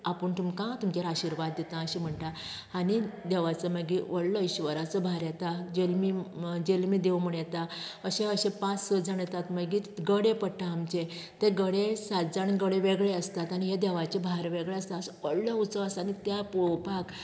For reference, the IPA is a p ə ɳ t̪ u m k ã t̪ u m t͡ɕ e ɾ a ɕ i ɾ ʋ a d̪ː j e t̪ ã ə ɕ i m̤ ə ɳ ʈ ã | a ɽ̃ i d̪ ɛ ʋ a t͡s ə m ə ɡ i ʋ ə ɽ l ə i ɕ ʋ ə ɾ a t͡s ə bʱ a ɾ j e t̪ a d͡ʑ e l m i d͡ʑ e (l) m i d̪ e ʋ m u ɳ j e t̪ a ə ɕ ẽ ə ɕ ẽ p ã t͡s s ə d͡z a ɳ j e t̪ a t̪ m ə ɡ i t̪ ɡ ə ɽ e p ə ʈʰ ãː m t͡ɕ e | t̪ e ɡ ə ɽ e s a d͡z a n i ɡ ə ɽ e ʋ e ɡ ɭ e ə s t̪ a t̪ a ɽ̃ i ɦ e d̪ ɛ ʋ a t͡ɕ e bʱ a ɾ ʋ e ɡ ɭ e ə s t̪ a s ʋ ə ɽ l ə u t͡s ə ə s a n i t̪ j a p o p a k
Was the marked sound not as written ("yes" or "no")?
no